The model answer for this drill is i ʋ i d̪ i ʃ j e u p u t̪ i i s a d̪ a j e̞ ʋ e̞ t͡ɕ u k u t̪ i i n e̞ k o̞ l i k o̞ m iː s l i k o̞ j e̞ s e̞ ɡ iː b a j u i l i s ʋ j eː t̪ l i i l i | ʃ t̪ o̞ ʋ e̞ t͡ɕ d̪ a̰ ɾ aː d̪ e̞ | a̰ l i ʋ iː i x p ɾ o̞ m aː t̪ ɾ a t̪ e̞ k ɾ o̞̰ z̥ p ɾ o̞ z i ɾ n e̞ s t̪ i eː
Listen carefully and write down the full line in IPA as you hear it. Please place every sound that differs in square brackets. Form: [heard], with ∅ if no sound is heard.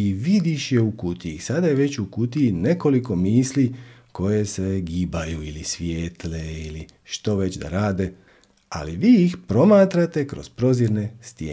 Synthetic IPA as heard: i ʋ i d̪ i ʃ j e u [k] u t̪ i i s a d̪ a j e̞ ʋ e̞ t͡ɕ u k u t̪ i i n e̞ k o̞ l i k o̞ m iː s l i k o̞ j e̞ s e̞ ɡ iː b a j u i l i s ʋ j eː t̪ l [e] i l i | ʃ t̪ o̞ ʋ e̞ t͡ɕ d̪ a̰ ɾ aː d̪ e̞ | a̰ l i ʋ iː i x p ɾ o̞ m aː t̪ ɾ a t̪ e̞ k ɾ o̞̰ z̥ p ɾ o̞ z i ɾ n e̞ s t̪ [j] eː